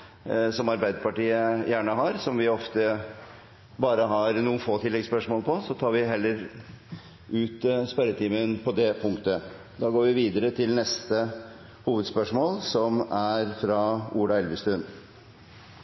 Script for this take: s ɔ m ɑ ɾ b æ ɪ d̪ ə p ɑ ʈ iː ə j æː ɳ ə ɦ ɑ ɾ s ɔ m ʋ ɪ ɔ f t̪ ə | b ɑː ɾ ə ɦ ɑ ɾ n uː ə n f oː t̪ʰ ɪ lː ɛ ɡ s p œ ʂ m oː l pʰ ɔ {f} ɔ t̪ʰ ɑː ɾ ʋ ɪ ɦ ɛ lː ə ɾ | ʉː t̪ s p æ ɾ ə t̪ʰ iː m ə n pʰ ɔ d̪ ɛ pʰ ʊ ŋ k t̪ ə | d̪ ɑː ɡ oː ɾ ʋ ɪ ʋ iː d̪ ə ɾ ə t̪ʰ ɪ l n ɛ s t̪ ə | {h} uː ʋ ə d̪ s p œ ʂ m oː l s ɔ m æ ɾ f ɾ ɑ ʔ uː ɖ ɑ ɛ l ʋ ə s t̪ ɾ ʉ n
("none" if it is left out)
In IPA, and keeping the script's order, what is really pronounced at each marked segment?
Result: s, h

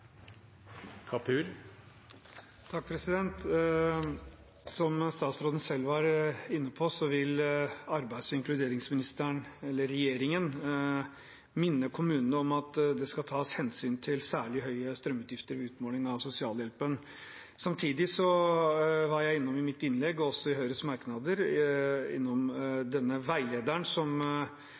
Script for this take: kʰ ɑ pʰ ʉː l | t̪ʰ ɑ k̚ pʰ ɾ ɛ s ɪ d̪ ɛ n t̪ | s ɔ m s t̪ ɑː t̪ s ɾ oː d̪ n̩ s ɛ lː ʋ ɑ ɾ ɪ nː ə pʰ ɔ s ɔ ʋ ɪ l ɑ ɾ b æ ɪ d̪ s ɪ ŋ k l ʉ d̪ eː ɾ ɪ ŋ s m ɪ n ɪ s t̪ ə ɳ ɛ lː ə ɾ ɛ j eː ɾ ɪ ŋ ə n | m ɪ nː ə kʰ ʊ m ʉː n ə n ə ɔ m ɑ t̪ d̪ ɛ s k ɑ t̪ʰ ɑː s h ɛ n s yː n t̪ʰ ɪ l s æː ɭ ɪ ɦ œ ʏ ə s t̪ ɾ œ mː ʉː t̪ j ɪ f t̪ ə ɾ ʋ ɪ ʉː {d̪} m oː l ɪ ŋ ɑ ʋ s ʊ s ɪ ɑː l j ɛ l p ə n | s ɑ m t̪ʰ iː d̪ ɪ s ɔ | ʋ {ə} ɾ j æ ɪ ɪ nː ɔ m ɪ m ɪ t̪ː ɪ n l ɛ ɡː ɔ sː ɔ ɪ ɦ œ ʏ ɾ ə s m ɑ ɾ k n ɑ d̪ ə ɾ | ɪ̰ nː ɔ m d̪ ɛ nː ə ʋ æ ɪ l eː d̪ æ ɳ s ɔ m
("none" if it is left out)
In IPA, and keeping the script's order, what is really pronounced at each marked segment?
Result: t̪, ɑ

